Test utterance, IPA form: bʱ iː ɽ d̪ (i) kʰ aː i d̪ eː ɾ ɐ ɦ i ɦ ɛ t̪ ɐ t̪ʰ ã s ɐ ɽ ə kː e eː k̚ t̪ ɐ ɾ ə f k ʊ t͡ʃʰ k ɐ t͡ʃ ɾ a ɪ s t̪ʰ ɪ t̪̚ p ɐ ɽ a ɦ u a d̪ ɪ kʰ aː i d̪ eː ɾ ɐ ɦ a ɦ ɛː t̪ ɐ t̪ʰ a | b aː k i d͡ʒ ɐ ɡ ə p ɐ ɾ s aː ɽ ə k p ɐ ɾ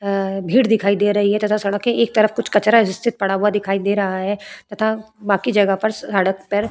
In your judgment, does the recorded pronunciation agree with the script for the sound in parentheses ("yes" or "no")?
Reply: no